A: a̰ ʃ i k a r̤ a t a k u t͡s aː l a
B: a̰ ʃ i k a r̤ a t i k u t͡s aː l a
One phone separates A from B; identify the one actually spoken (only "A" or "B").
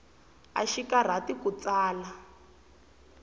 B